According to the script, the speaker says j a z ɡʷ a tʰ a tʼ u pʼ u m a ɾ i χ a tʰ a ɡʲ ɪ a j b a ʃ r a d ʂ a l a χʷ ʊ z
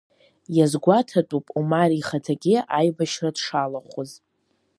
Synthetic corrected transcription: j a z ɡʷ a tʰ a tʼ u pʼ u m a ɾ i χ a tʰ a ɡʲ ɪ a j b a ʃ r a d ʂ a l a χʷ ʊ z

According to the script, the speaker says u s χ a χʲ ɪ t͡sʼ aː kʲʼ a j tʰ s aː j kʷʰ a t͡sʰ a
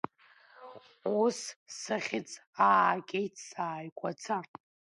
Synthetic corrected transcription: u s s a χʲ ɪ t͡sʼ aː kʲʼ e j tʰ s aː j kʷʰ a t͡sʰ a

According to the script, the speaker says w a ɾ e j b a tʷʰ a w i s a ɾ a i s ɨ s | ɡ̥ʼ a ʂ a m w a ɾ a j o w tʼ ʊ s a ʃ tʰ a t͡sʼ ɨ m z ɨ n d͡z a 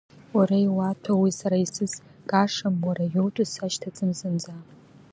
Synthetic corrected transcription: w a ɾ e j w a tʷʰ a w i s a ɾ a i s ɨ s | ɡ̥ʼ a ʂ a m w a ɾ a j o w tʼ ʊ s a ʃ tʰ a t͡sʼ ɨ m z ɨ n d͡z a

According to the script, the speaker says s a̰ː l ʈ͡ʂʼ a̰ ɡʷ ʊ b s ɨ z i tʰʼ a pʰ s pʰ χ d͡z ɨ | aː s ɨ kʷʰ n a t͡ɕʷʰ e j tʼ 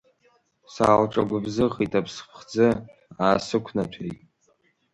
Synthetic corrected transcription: s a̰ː l ʈ͡ʂʼ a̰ ɡʷ ʊ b z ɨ ʁ i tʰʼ a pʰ s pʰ χ d͡z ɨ | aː s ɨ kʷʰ n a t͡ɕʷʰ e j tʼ

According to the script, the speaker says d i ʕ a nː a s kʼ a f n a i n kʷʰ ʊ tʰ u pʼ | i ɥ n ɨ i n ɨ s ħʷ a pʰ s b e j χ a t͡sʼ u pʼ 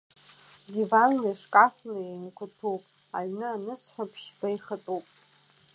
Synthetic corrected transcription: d i v a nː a ʂ kʼ a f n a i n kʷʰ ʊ tʰ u pʼ | a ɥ n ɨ a n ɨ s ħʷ a pʰ ʂ b a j χ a t͡sʼ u pʼ

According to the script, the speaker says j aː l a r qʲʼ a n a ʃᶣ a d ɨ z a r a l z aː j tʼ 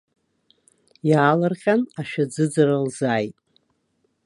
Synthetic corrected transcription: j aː l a r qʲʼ a n a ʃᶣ a d͡z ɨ d͡z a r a l z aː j tʼ

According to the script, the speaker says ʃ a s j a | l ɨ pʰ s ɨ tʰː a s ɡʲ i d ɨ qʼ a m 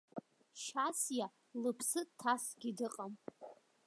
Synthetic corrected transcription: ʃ a s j a | l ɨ pʰ s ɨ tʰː a s ɡʲ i d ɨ qʼ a m

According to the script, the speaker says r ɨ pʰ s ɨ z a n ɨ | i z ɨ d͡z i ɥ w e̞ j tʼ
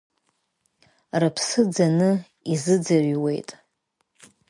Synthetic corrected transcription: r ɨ pʰ s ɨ d͡z a n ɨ | i z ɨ d͡z a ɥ w e̞ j tʼ

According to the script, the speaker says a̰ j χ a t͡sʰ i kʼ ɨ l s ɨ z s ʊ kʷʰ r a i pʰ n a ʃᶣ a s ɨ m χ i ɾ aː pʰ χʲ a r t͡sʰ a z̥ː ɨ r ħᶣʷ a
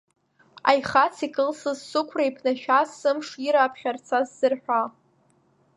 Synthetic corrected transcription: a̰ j χ a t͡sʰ i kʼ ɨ l s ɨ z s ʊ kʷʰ r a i pʰ n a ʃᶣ a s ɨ m ʂ i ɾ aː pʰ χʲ a r t͡sʰ a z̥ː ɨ r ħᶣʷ a

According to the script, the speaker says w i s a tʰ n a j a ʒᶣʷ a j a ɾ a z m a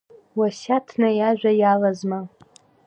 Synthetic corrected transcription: w a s a tʰ n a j a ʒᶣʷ a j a l a z m a

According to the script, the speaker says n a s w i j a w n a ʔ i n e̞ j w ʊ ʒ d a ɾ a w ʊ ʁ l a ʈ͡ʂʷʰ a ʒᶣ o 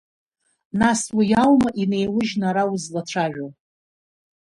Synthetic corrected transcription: n a s w i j a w m a ʔ i n e̞ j w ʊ ʒ n a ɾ a w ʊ z l a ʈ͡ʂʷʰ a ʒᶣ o

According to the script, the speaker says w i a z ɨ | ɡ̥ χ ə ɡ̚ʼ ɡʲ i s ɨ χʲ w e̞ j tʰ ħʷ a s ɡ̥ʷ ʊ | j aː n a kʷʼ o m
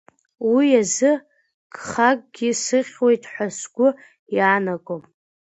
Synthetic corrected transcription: w i a z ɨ | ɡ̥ χ a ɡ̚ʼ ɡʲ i s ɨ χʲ w e̞ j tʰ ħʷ a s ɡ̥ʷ ʊ | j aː n a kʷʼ o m

